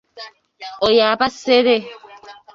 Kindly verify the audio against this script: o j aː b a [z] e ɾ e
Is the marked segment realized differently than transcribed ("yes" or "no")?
yes